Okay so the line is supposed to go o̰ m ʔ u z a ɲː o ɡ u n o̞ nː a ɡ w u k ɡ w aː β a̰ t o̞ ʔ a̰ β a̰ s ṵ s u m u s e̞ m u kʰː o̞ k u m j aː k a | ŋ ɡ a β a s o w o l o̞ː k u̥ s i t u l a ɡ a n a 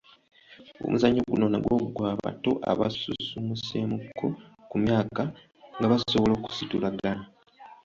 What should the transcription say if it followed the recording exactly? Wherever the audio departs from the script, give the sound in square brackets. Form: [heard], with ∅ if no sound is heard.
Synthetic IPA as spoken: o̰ m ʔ u z a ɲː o ɡ u n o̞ [n] a ɡ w [o] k ɡ w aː β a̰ t o̞ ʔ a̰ β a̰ s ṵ s u m u s e̞ m u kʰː o̞ k u m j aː k a | ŋ ɡ a β a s o [β] o l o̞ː k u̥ s i t u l a ɡ a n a